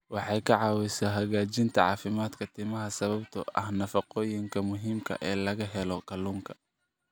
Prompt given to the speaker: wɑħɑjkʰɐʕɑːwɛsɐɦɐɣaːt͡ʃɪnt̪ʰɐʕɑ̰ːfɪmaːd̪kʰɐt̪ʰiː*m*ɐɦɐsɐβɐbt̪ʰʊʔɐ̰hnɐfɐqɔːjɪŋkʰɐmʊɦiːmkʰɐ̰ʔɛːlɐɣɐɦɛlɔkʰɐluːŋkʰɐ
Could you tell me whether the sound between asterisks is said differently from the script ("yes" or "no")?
no